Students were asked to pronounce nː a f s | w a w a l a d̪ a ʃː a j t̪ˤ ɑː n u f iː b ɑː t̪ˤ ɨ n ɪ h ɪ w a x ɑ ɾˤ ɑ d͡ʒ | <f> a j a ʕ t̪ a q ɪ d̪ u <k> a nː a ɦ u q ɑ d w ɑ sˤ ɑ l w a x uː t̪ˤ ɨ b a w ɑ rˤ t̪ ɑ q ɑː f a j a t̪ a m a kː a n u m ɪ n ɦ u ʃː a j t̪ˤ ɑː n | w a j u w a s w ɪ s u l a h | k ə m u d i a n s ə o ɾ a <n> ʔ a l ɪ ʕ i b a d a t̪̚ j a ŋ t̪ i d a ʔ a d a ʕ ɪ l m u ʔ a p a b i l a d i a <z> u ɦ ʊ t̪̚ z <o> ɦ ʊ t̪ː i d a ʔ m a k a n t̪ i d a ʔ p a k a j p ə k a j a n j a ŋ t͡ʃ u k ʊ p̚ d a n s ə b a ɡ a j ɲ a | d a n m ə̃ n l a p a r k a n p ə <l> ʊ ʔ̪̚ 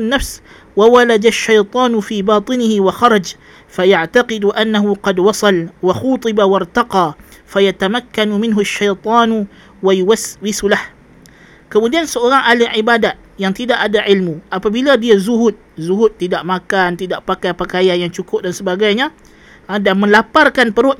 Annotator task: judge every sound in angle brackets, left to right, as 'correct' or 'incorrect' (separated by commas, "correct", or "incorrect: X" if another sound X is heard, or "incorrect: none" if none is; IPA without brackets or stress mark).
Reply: correct, incorrect: ʔ, incorrect: ŋ, correct, incorrect: u, incorrect: ɾ